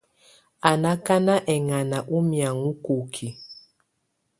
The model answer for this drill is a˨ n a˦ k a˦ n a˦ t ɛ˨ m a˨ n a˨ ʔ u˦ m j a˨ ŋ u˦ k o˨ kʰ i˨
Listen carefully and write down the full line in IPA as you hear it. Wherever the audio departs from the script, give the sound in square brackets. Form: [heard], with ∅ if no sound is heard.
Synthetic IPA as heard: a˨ n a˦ k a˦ n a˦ [ʔ] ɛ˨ [ŋ] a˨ n a˨ ʔ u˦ m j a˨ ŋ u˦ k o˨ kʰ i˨